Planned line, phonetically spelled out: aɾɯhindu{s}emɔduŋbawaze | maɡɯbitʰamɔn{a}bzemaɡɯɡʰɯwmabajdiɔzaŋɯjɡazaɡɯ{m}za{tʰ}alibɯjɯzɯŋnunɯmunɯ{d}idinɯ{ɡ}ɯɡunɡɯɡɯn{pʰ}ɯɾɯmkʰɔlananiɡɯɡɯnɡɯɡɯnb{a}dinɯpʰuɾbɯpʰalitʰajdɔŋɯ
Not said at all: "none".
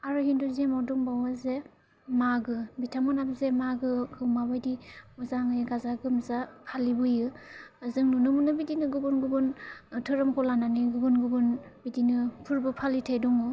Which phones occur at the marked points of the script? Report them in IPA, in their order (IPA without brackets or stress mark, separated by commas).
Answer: z, a, m, pʰ, b, ɡ, tʰ, i